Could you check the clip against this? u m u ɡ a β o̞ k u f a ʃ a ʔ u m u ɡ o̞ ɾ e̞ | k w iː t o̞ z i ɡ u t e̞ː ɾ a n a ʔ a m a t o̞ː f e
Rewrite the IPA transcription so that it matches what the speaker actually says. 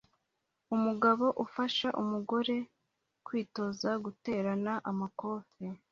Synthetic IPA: u m u ɡ a β o̞ ʔ u f a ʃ a ʔ u m u ɡ o̞ ɾ e̞ | k w iː t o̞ z a ɡ u t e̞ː ɾ a n a ʔ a m a k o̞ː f e